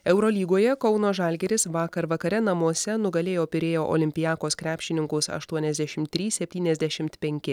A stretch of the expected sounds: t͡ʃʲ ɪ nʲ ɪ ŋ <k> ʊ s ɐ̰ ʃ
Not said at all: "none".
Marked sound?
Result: k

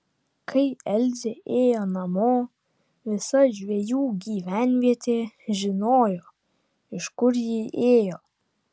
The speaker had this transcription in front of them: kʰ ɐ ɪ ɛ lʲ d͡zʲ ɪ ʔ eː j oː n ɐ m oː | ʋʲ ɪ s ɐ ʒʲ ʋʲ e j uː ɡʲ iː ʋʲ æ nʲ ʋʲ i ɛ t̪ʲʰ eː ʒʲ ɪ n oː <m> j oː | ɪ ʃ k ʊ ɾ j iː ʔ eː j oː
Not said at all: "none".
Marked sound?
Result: none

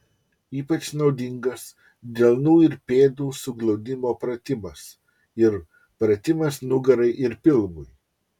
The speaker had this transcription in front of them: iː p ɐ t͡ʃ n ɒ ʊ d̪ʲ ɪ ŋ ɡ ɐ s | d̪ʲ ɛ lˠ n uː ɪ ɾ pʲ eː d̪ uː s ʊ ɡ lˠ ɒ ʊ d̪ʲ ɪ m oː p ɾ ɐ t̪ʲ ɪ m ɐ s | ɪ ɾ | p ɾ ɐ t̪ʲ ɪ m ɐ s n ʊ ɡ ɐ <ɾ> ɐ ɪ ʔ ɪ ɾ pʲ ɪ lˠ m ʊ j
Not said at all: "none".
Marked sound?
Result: ɾ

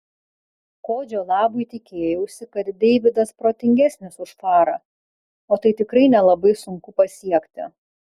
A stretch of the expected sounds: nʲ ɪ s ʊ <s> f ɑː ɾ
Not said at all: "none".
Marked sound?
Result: ʃ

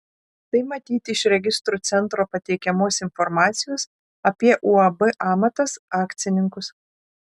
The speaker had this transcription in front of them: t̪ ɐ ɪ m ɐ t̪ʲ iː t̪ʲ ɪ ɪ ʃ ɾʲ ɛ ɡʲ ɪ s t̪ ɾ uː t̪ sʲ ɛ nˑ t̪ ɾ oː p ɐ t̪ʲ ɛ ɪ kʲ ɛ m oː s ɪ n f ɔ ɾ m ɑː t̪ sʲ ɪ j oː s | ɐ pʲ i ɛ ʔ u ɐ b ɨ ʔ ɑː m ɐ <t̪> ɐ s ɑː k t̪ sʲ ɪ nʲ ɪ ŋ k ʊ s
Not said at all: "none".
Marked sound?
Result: t̪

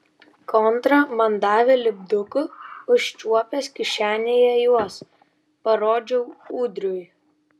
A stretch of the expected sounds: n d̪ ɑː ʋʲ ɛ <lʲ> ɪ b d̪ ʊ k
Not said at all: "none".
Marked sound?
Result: lʲ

